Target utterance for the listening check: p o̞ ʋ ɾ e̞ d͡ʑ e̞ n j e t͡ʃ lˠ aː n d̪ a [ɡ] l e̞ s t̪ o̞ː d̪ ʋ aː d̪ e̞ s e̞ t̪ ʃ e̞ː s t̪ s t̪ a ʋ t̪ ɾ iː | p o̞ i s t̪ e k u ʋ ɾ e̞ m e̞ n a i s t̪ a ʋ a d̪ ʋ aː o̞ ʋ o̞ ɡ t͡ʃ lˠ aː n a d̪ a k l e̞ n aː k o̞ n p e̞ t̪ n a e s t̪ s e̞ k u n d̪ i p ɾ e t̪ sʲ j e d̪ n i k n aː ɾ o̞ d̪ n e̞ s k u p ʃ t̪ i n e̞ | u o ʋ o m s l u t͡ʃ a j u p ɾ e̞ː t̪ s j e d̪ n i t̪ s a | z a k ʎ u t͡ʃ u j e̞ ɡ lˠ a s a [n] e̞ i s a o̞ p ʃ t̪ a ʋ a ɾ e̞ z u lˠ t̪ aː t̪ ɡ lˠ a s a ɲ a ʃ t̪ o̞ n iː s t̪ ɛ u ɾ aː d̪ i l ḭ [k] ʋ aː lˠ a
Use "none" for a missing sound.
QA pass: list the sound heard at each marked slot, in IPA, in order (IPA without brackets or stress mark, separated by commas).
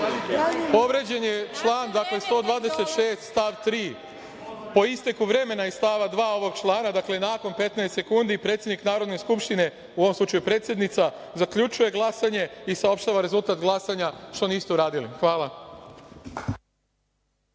k, ɲ, x